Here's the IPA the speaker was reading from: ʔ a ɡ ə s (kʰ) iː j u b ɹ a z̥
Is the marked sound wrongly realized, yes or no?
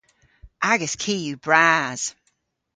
no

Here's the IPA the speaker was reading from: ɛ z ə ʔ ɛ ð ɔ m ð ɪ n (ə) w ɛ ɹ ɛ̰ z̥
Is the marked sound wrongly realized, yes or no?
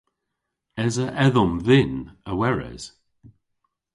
no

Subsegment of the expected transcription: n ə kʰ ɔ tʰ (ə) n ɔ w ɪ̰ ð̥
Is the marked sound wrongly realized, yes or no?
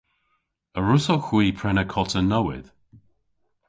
no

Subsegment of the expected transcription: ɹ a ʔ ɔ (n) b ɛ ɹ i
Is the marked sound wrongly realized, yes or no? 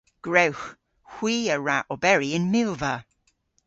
yes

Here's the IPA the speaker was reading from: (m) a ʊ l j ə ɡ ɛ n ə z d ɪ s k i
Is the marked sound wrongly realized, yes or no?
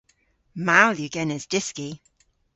no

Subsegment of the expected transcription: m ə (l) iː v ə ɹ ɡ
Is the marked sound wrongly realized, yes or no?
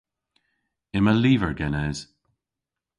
no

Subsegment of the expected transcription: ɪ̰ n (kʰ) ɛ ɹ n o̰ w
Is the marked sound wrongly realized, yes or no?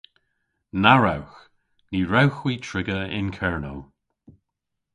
no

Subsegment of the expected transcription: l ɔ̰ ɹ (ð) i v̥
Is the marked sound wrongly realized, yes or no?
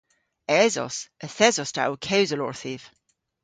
yes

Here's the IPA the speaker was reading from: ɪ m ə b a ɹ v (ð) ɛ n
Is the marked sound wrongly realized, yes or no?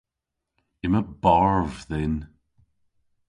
no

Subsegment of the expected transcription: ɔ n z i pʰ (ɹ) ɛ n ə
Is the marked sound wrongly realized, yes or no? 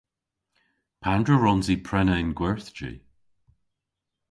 no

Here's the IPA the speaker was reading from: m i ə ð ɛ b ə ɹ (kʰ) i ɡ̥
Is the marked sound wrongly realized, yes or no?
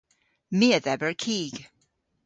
no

